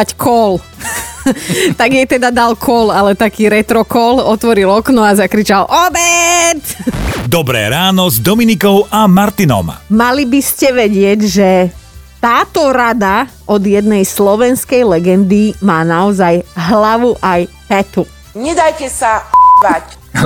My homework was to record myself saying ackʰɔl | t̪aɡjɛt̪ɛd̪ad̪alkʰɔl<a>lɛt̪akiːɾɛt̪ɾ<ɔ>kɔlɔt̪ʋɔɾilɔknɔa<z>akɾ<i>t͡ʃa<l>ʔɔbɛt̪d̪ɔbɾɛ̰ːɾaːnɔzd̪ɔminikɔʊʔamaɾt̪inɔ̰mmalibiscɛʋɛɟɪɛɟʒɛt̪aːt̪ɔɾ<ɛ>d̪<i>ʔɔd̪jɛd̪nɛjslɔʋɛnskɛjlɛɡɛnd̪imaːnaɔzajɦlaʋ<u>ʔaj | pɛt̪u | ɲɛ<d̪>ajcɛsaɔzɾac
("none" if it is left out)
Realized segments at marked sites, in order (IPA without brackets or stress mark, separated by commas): a, ɔ, z, i, l, a, a, u, d̪